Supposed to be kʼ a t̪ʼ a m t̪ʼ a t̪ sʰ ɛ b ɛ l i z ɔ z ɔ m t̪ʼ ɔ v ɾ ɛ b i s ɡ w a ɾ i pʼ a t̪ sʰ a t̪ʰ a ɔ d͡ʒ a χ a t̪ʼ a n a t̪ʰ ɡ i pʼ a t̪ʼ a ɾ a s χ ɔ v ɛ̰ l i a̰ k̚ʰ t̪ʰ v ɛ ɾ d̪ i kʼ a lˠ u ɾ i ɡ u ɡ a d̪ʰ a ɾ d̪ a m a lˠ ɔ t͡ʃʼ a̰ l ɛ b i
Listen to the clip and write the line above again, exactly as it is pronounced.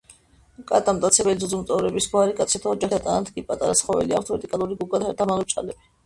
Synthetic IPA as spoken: kʼ a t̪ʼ a m t̪ʼ a t̪ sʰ ɛ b ɛ l i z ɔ z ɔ m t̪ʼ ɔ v ɾ ɛ b i s ɡ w a ɾ i kʼ a t̪ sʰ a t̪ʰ a ɔ d͡ʒ a χ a t̪ʼ a n a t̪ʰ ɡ i pʼ a t̪ʼ a ɾ a s χ ɔ v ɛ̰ l i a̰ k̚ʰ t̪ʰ v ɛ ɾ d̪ i kʼ a lˠ u ɾ i ɡ u ɡ a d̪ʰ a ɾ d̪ a m a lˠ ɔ t͡ʃʼ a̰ l ɛ b i